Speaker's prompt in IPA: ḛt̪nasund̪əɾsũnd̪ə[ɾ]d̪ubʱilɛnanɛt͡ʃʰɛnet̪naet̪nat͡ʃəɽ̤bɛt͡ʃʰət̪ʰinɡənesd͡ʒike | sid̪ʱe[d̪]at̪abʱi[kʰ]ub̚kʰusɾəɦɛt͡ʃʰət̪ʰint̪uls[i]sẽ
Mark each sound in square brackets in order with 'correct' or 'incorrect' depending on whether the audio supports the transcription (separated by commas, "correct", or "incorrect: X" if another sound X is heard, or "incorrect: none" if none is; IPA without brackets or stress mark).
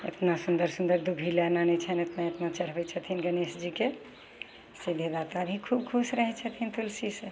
correct, correct, correct, correct